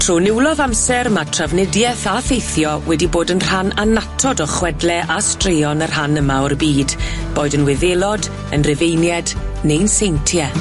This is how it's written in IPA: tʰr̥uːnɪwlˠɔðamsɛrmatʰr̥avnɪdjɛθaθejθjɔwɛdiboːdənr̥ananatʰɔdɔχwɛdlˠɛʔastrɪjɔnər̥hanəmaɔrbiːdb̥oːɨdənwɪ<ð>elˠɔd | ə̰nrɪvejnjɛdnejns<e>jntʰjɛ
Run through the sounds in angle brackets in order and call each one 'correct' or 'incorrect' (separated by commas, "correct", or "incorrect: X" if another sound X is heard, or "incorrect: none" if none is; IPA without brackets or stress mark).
correct, correct